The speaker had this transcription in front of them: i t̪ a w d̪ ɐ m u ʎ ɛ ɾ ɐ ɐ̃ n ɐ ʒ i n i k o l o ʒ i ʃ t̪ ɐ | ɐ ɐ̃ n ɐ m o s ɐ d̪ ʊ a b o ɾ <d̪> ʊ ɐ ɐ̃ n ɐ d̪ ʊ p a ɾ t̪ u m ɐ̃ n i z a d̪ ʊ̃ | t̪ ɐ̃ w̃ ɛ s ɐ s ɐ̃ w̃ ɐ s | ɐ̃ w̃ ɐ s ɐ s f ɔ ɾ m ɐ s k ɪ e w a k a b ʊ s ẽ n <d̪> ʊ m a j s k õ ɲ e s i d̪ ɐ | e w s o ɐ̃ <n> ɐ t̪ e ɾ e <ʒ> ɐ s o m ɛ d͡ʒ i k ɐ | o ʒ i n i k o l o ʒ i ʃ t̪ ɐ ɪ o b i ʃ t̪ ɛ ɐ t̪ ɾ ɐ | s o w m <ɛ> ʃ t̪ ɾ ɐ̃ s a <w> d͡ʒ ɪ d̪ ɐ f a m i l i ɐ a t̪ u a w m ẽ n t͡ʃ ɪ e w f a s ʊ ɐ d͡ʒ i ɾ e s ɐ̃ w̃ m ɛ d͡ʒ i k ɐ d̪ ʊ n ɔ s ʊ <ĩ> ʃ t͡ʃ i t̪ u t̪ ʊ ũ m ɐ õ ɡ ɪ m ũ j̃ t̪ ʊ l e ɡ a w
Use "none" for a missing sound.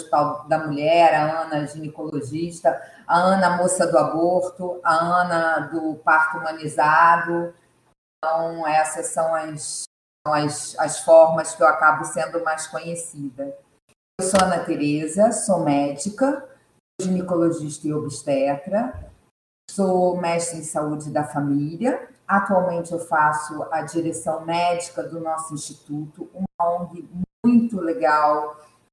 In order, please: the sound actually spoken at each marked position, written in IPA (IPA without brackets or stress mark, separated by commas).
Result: t̪, d̪, n, z, ɛ, u, ĩ